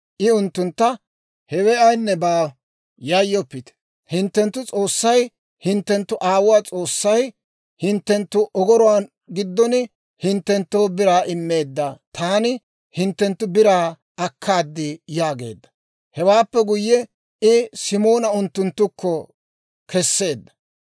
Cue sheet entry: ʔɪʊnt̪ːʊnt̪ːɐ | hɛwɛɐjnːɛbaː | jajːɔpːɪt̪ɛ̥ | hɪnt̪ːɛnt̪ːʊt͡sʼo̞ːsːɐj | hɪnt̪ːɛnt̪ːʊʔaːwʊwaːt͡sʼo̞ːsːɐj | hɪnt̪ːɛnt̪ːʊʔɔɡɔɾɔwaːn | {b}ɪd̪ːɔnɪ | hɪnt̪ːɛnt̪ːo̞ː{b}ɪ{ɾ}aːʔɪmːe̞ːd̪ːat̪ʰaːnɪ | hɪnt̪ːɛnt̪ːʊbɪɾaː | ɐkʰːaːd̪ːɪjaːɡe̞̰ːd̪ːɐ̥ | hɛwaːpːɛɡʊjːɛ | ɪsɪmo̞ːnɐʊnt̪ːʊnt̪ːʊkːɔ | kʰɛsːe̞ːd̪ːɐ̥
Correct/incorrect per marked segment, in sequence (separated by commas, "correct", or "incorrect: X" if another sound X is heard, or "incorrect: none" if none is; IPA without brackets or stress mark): incorrect: ɡ, correct, correct